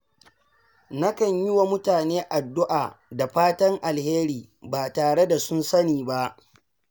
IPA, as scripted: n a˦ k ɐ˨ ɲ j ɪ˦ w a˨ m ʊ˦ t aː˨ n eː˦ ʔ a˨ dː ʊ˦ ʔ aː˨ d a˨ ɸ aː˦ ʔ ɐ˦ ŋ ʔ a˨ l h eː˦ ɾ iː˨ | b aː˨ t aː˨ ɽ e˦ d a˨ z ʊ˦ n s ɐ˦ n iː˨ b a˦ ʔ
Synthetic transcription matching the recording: n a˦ k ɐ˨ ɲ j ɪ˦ w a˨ m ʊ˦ t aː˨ n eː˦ ʔ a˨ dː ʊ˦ ʔ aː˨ d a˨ ɸ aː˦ t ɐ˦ ŋ ʔ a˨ l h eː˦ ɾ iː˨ | b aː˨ t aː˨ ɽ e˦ d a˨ s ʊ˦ n s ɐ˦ n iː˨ b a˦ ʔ